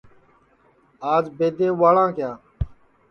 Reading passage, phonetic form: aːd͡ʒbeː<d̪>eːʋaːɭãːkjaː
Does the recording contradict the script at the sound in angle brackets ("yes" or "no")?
no